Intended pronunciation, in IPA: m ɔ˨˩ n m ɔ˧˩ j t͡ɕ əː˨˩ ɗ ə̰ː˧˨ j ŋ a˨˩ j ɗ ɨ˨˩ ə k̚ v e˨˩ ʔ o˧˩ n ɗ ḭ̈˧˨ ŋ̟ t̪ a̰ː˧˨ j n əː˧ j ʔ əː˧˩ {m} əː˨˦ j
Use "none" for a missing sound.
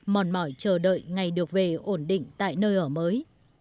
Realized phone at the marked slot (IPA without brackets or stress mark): m